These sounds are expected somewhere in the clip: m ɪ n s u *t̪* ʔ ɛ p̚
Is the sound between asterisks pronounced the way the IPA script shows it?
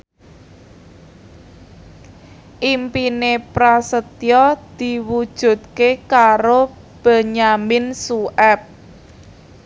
no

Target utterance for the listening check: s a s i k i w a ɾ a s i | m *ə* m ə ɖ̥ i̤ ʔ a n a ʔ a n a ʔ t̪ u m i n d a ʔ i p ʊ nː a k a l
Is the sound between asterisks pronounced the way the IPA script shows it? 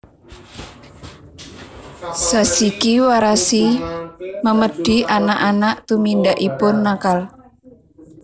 yes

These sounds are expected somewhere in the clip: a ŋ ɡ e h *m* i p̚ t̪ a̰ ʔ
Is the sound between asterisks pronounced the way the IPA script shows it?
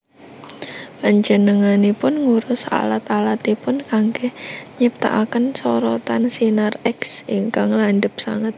no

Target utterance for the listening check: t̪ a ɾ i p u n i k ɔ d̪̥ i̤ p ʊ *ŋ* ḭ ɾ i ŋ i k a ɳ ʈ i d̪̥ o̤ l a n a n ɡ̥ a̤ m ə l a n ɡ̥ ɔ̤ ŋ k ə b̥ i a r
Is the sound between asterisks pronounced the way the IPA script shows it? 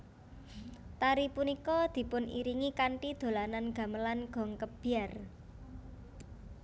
no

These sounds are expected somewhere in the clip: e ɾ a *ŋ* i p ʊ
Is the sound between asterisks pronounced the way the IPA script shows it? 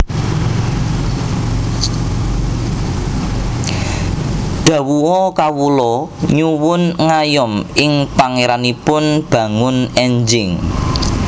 no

